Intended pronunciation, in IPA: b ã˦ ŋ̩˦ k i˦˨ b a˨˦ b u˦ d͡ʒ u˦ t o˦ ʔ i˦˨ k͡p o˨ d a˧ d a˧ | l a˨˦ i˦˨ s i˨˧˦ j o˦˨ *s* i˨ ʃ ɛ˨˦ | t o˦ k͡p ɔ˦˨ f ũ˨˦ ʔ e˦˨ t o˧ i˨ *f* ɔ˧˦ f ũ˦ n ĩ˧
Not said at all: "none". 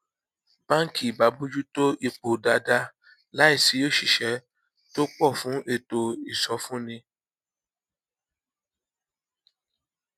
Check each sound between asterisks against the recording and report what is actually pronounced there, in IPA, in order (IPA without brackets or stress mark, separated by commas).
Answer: ʃ, s